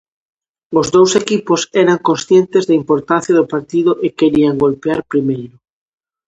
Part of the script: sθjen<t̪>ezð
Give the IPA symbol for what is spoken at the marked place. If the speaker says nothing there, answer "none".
t̪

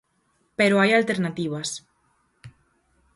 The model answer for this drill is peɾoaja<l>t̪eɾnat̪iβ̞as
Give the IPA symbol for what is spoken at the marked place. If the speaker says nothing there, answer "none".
l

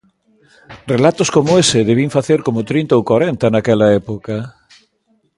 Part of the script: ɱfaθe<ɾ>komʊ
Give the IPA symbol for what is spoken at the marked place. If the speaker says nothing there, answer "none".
ɾ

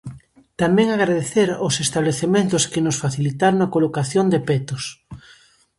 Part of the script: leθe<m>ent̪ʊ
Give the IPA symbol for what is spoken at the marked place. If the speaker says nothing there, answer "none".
m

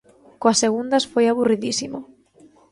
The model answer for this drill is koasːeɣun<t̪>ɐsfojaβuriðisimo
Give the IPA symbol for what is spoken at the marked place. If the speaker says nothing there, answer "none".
d̪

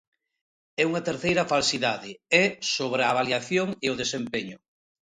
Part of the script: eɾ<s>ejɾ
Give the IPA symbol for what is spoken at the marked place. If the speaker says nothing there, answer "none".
θ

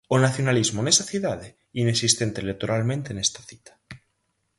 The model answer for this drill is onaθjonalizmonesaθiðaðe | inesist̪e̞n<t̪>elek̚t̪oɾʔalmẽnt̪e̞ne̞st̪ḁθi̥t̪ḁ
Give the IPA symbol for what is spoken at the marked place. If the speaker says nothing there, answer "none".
t̪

